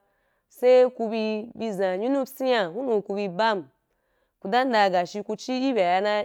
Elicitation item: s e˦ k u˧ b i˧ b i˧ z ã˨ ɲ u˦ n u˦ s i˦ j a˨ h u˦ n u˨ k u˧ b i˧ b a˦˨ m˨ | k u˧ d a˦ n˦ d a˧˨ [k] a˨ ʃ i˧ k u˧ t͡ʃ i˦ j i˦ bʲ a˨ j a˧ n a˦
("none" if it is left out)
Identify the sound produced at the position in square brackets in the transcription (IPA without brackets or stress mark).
ɡ